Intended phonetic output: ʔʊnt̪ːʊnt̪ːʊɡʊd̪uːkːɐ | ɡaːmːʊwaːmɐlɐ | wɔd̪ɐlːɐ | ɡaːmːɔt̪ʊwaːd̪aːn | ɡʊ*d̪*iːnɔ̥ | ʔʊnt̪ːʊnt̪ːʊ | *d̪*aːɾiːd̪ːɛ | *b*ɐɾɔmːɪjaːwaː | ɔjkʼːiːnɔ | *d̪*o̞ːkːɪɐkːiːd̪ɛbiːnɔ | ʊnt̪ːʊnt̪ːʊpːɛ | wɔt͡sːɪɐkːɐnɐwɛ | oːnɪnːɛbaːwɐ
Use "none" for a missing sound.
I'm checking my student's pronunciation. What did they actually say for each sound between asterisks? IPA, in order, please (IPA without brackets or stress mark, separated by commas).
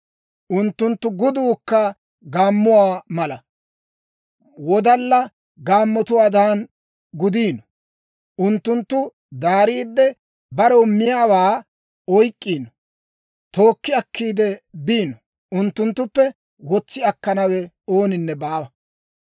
d̪, d̪, b, t̪